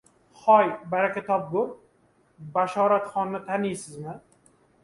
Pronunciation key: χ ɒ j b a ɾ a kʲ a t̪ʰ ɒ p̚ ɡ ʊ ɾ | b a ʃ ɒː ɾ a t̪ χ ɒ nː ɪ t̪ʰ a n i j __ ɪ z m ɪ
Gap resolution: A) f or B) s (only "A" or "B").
B